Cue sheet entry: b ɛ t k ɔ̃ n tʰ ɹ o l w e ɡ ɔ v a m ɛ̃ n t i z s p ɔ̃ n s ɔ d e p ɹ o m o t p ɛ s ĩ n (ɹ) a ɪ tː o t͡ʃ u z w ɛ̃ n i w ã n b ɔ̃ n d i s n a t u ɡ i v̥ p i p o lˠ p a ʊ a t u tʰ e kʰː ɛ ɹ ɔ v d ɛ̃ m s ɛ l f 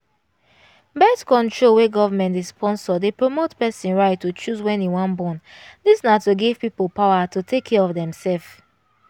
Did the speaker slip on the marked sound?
no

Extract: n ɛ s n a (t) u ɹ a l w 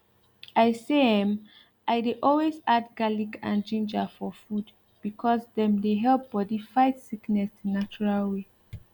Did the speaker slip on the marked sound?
yes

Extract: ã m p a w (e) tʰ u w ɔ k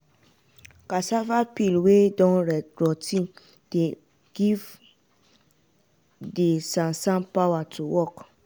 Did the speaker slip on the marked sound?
yes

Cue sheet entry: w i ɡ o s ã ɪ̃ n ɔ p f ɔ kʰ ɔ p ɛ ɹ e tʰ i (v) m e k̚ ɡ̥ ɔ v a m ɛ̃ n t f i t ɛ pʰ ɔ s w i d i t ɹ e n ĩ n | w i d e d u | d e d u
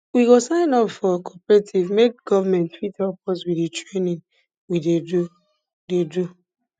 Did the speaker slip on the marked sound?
no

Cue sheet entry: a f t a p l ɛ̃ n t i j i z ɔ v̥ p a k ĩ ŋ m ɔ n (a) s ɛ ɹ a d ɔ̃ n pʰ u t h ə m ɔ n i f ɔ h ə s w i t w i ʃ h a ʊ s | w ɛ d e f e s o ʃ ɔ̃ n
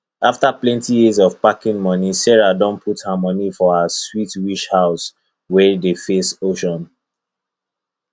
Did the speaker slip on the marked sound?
yes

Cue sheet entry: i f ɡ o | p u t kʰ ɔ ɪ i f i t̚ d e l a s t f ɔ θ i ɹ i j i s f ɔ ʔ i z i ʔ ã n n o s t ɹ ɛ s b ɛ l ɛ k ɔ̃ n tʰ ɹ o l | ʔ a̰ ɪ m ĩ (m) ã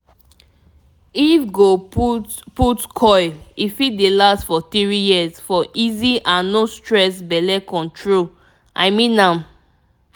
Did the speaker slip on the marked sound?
yes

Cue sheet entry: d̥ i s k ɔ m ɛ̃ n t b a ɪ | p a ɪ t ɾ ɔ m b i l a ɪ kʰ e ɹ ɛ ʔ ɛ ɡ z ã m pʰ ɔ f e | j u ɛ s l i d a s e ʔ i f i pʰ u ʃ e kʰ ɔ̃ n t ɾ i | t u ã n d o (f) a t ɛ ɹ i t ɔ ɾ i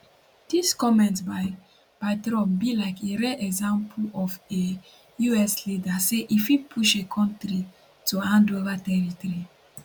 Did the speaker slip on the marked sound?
yes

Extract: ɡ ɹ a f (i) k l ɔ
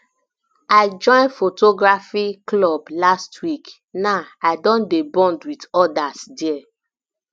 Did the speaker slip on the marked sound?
no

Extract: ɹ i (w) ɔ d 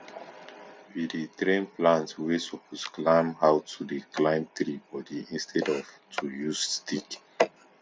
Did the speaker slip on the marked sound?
yes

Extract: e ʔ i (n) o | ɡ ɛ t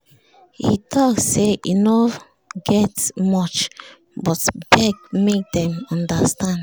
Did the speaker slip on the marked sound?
no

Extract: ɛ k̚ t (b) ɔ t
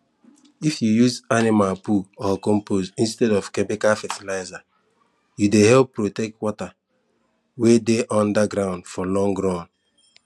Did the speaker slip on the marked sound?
yes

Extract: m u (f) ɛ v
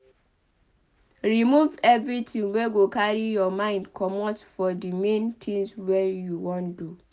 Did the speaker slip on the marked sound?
yes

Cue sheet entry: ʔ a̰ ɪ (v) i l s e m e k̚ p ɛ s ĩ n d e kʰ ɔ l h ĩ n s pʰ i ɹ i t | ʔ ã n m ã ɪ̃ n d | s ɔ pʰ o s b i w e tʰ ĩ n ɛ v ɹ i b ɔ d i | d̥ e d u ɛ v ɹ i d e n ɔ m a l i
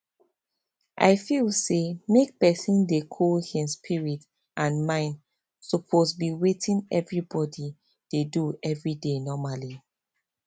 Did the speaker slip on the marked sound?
yes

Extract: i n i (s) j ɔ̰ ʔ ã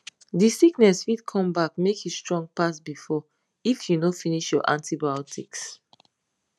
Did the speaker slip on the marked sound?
yes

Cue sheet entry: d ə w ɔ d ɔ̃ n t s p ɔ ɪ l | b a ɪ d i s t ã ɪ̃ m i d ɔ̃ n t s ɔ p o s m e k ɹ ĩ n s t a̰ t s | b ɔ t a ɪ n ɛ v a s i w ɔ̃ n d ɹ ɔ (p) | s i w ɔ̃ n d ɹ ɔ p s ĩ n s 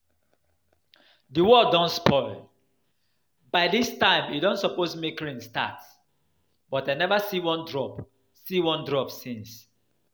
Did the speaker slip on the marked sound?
no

